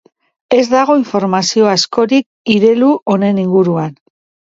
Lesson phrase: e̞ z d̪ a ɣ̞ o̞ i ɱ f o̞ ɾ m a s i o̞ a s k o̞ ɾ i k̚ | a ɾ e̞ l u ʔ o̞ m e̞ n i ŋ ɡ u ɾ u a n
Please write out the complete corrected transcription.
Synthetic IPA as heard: e̞ z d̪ a ɣ̞ o̞ i ɱ f o̞ ɾ m a s i o̞ a s k o̞ ɾ i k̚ | i ɾ e̞ l u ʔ o̞ n e̞ n i ŋ ɡ u ɾ u a n

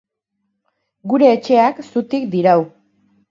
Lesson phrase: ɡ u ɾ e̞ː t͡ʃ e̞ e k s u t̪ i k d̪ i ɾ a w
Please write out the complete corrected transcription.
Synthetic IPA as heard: ɡ u ɾ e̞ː t͡ʃ e̞ a k s u t̪ i k d̪ i ɾ a w

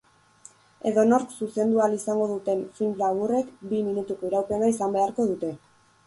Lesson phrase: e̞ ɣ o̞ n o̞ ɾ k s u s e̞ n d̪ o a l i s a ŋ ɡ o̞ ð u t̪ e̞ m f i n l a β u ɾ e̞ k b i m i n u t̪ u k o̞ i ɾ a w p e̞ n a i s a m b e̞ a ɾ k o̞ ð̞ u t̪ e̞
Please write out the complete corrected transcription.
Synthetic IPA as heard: e̞ ð o̞ n o̞ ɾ k s u s e̞ n d̪ u a l i s a ŋ ɡ o̞ ð u t̪ e̞ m f i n l a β u r e̞ k b i m i n u t̪ u k o̞ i ɾ a w p e̞ n a i s a m b e̞ a ɾ k o̞ ð̞ u t̪ e̞

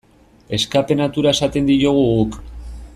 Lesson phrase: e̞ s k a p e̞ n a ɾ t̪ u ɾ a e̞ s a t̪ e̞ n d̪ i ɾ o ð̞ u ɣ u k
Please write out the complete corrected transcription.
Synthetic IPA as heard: e̞ s k a p e̞ n a t̪ u ɾ a e̞ s a t̪ e̞ n d̪ i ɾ o ɣ̞ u ɣ u k

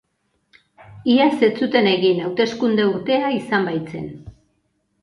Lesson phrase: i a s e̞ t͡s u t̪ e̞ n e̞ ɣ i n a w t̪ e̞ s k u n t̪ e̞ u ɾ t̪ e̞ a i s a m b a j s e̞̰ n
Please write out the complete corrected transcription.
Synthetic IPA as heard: i a s e̞ t͡s u t̪ e̞ n e̞ ɣ i n a w t̪ e̞ s k u n d̪ e̞ u ɾ t̪ e̞ a i s a m b a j t͡s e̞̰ n

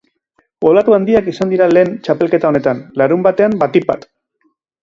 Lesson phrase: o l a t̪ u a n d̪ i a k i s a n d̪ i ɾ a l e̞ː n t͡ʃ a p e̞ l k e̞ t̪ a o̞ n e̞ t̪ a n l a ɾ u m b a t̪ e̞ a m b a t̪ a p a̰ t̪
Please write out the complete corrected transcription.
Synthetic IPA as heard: o l a t̪ u a n d̪ i a k i s a n d̪ i ɾ a l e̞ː n t͡ʃ a p e̞ l k e̞ t̪ a o̞ n e̞ t̪ a n l a ɾ u m b a t̪ e̞ a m b a t̪ i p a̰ t̪

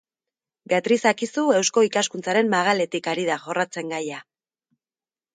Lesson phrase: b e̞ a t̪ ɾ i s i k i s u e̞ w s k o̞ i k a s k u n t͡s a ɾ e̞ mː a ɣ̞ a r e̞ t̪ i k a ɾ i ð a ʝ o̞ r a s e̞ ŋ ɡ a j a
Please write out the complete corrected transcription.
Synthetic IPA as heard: b e̞ a t̪ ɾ i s a k i s u e̞ w s k o̞ i k a s k u n t͡s a ɾ e̞ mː a ɣ̞ a l e̞ t̪ i k a ɾ i ð a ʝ o̞ r a t͡s e̞ ŋ ɡ a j a

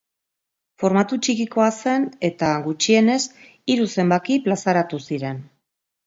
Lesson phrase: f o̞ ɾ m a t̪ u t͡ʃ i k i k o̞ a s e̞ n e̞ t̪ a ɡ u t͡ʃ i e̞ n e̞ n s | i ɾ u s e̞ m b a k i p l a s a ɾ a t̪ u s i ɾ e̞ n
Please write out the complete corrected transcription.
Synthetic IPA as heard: f o̞ ɾ m a t̪ u t͡ʃ i k i k o̞ a s e̞ n e̞ t̪ a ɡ u t͡ʃ i e̞ n e̞ s | i ɾ u s e̞ m b a k i p l a s a ɾ a t̪ u s i ɾ e̞ n

